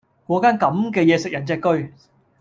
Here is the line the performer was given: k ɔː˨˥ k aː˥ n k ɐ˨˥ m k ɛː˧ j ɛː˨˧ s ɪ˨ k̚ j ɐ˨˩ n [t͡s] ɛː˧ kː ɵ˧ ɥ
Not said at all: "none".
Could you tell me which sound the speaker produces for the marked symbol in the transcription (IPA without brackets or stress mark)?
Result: t͡s